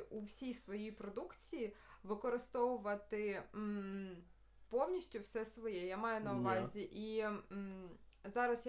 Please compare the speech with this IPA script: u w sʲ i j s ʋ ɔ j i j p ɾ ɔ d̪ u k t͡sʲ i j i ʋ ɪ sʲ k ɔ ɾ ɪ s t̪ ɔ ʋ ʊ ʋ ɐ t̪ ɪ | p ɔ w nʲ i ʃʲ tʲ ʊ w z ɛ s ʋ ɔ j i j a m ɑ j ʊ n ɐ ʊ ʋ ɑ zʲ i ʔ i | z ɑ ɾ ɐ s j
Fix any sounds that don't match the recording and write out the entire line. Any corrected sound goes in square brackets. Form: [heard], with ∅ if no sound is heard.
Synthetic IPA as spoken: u w sʲ i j s ʋ ɔ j i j p ɾ ɔ d̪ u k t͡sʲ i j i ʋ ɪ [∅] k ɔ ɾ ɪ s t̪ ɔ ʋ ʊ ʋ ɐ t̪ ɪ | p ɔ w nʲ i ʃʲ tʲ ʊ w [s] ɛ s ʋ ɔ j [ɛ] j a m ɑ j ʊ n ɐ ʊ ʋ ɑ zʲ i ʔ i | z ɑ ɾ ɐ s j